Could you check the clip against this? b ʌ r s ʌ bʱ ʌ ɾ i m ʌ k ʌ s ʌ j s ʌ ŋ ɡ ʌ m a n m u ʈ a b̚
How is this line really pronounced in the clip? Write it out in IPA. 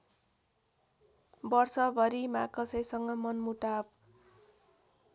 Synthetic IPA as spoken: b ʌ r s ʌ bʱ ʌ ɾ i m a k ʌ s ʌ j s ʌ ŋ ɡ ʌ m ʌ n m u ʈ a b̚